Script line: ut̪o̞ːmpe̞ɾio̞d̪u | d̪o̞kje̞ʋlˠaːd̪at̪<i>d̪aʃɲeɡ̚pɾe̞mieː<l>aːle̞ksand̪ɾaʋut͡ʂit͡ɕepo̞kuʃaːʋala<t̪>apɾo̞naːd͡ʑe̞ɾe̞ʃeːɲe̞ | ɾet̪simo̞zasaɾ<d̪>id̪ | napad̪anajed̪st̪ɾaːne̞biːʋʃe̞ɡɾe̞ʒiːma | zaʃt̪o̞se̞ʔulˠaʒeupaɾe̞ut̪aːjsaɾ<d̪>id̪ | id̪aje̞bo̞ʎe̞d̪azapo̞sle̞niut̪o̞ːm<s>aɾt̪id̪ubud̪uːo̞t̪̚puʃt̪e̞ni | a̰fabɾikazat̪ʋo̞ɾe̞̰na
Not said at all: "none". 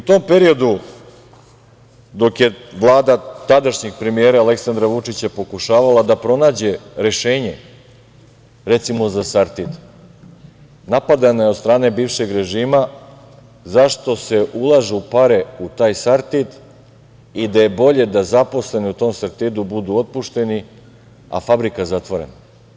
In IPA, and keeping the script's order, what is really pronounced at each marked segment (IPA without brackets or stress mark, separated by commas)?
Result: a, ɾ, d̪, t̪, t̪, s